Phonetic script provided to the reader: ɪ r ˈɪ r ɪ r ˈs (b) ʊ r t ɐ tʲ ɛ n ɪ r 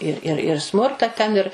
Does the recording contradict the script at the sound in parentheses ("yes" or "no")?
yes